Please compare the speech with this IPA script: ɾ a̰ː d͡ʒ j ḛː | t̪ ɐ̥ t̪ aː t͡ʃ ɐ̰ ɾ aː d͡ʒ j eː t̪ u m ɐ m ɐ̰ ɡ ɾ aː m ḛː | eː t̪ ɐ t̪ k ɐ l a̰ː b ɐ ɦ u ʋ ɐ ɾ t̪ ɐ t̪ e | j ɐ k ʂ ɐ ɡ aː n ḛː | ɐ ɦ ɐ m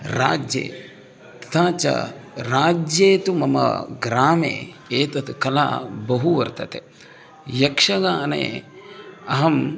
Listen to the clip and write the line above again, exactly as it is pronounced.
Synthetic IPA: ɾ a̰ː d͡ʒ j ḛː | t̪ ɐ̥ t̪ʰ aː t͡ʃ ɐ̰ ɾ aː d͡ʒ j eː t̪ u m ɐ m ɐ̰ ɡ ɾ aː m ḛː | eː t̪ ɐ t̪ k ɐ l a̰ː b ɐ ɦ u ʋ ɐ ɾ t̪ ɐ t̪ e | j ɐ k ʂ ɐ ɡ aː n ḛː | ɐ ɦ ɐ m

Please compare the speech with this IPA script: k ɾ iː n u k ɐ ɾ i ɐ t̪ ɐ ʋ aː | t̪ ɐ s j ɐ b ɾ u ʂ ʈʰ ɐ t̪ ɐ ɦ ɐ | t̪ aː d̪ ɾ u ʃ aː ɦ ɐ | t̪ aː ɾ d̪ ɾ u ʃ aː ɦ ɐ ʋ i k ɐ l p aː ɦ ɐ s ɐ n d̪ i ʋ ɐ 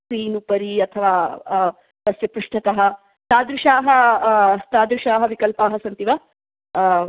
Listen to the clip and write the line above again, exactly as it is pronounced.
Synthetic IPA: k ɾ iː n u p ɐ ɾ i ɐ t̪ʰ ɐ ʋ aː | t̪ ɐ s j ɐ p ɾ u ʂ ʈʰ ɐ t̪ ɐ ɦ ɐ | t̪ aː d̪ ɾ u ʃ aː ɦ ɐ | t̪ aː d̪ ɾ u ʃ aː ɦ ɐ ʋ i k ɐ l p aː ɦ ɐ s ɐ n t̪ i ʋ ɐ

